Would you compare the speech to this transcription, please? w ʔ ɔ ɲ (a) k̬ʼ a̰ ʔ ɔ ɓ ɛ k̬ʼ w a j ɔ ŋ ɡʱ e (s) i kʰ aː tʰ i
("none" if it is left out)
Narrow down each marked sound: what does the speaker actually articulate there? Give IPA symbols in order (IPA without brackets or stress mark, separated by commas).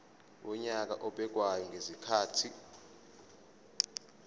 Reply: a, z